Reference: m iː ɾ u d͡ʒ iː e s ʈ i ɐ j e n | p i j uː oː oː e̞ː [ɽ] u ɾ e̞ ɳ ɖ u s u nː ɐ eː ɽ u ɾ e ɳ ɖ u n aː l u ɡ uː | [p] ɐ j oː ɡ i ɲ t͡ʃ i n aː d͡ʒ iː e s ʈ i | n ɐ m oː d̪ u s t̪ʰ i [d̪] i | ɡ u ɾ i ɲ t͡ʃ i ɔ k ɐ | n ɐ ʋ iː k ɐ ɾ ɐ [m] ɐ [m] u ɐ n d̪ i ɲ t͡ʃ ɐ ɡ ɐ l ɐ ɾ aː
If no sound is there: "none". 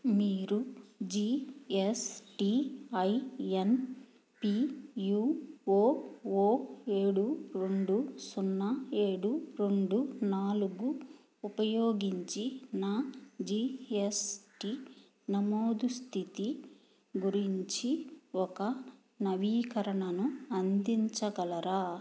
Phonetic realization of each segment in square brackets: ɽ, p, t̪, ɳ, n

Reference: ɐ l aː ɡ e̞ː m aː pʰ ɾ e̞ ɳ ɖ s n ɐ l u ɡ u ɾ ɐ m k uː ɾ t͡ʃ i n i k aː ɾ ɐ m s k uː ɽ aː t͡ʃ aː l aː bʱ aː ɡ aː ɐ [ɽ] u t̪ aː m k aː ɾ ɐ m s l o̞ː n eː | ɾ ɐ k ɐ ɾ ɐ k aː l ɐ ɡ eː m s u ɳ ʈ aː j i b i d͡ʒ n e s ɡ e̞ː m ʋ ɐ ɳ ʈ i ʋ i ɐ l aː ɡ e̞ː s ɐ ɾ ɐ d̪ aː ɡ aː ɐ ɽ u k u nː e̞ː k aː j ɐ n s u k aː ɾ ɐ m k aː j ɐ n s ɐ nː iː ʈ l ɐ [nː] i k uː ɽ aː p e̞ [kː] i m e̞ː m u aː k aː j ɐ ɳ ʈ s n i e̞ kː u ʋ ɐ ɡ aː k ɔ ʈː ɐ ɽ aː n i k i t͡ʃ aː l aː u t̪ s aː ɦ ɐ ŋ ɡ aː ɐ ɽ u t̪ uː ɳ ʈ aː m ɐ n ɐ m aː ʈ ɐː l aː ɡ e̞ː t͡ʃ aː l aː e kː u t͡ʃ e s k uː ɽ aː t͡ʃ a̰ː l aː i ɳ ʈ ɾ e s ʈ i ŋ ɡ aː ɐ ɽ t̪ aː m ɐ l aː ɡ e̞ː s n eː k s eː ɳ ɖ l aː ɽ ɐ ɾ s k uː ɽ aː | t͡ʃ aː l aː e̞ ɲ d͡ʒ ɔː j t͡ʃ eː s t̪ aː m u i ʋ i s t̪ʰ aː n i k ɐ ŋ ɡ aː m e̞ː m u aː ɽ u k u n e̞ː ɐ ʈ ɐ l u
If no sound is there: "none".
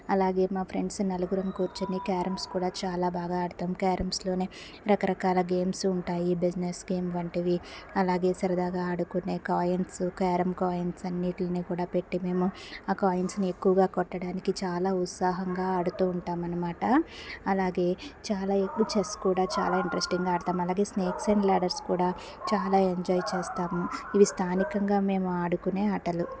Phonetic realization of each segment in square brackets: ɽ, n, ʈː

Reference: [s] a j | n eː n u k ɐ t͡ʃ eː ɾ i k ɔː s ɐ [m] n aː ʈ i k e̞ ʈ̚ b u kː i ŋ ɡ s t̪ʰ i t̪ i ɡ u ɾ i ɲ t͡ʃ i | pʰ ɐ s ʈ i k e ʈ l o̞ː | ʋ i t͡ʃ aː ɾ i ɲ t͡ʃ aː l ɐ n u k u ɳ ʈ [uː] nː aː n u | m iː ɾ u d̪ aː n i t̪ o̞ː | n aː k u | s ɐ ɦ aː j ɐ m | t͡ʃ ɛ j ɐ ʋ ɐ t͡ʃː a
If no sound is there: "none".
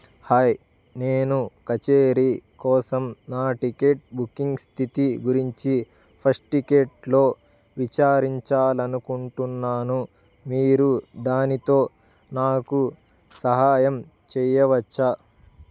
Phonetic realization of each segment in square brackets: h, m, u

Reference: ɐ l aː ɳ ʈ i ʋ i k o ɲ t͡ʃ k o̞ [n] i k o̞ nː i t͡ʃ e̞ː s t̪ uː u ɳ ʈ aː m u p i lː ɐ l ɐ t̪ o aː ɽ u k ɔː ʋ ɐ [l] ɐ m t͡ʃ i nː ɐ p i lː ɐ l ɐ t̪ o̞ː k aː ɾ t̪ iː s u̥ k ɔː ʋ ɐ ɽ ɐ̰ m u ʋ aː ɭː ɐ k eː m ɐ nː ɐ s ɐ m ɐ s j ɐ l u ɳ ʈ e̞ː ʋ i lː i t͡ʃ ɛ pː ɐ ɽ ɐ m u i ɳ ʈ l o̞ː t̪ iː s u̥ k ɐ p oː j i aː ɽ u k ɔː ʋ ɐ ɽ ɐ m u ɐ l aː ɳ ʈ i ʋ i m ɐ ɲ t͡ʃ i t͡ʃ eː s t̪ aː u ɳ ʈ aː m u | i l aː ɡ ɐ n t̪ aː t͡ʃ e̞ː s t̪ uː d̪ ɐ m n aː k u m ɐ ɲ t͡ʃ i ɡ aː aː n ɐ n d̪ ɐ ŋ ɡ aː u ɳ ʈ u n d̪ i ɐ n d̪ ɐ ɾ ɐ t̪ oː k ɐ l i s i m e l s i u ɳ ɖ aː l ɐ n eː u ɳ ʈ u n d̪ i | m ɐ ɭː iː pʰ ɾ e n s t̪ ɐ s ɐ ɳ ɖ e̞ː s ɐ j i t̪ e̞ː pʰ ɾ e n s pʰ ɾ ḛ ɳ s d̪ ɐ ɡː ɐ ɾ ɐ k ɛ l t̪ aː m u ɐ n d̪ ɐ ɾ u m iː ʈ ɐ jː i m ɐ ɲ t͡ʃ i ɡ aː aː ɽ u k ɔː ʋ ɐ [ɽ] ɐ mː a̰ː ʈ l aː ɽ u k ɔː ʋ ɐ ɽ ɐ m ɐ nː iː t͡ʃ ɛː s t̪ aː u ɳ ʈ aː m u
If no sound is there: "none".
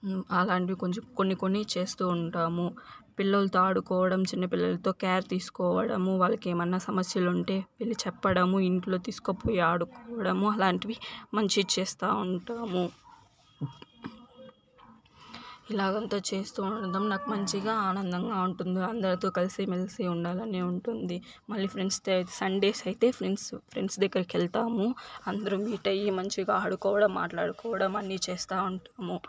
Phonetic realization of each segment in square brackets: nː, ɽ, ɽ

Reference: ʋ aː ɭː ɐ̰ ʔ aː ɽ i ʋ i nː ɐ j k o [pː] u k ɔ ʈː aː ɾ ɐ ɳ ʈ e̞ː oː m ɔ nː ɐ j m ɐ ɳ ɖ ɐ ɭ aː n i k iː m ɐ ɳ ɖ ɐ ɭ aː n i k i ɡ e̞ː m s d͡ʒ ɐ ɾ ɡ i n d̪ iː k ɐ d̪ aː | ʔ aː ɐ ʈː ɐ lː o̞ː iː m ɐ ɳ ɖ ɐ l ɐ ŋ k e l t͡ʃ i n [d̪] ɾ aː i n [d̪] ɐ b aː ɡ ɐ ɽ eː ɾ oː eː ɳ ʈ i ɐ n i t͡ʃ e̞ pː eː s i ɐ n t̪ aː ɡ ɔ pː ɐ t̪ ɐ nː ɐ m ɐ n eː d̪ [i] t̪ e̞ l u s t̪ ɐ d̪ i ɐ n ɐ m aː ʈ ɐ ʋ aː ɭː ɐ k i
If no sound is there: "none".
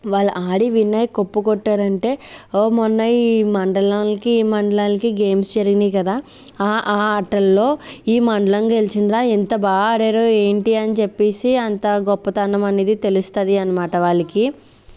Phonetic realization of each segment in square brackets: pː, d̪, t̪, i

